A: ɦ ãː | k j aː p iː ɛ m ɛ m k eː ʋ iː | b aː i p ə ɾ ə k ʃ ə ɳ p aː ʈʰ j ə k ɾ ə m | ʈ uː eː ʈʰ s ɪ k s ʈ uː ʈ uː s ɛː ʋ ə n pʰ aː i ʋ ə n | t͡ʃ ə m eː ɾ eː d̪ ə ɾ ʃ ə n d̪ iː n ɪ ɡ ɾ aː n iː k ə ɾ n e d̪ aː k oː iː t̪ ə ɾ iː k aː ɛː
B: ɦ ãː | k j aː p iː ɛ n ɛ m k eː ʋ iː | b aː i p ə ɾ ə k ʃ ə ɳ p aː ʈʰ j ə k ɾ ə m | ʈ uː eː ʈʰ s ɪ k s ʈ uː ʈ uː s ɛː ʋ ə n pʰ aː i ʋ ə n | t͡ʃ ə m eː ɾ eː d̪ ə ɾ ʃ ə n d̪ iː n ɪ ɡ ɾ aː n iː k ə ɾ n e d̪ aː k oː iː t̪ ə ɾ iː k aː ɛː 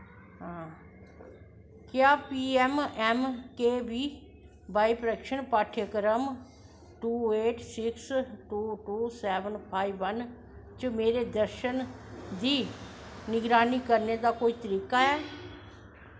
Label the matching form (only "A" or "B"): A